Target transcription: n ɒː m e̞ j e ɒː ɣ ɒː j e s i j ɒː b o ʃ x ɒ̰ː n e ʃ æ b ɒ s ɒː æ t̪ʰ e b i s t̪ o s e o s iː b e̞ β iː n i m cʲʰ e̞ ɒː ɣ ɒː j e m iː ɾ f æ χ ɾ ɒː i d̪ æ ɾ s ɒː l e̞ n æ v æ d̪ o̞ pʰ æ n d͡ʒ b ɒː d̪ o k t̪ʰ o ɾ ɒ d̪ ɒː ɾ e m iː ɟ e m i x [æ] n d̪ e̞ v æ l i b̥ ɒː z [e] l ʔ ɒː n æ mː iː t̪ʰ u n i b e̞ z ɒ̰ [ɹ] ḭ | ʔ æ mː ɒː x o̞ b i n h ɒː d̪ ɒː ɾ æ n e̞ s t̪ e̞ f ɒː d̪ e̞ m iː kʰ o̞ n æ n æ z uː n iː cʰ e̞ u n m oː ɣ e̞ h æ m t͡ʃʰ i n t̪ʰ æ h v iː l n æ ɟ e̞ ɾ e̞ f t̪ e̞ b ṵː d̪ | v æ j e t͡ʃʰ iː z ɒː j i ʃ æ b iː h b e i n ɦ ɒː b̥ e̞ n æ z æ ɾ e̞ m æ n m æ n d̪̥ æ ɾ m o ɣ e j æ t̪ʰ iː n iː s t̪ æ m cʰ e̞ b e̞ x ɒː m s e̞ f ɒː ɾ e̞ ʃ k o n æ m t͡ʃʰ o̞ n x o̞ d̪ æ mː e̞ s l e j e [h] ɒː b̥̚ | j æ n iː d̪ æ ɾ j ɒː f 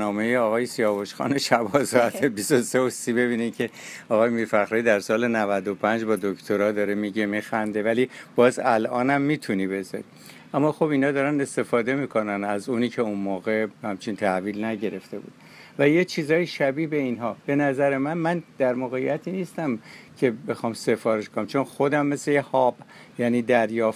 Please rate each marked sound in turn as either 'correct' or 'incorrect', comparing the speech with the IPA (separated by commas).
correct, incorrect, incorrect, correct